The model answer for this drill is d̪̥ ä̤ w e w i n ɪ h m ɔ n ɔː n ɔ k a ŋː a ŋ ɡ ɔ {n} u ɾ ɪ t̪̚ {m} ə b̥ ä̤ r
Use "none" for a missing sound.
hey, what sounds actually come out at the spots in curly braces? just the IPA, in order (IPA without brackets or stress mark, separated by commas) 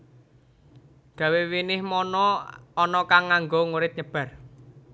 ŋ, ɲ